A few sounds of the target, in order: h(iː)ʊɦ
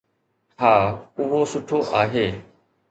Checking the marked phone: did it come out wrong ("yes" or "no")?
yes